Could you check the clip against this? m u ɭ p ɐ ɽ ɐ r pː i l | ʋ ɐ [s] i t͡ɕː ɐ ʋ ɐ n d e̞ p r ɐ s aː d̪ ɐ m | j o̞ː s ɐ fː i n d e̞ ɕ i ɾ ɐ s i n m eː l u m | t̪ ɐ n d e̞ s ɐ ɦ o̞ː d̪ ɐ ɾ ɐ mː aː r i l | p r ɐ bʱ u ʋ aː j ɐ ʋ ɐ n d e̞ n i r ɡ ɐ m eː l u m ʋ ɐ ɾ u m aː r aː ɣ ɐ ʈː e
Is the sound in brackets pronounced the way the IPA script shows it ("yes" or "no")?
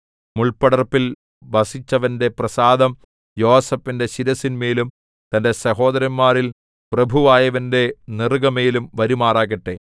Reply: yes